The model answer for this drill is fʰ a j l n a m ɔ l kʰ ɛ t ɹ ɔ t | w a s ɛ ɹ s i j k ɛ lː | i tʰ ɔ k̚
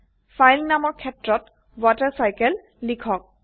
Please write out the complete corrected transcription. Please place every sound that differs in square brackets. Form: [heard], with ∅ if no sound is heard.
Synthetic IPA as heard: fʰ a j l n a m ɔ [ɹ] kʰ ɛ t ɹ ɔ t | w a [t] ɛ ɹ s [a] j k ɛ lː | i [kʰ] ɔ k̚